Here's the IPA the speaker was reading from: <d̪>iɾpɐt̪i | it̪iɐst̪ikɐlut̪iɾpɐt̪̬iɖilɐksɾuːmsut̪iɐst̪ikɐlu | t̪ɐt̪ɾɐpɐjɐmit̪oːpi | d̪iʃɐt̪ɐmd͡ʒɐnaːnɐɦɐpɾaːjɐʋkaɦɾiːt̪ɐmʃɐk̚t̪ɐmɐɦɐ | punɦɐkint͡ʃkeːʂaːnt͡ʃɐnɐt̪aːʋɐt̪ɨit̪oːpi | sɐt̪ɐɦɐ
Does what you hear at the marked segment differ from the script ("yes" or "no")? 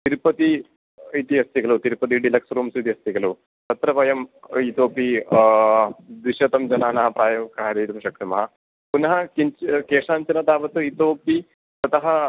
yes